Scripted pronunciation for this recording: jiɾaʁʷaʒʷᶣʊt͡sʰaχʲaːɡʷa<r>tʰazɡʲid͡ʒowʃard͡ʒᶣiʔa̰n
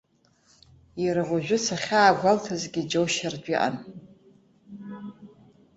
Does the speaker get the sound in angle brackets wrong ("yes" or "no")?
yes